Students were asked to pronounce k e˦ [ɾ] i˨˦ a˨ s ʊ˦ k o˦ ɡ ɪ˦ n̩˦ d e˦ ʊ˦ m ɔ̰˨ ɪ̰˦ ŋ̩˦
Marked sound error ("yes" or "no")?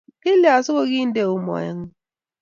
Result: yes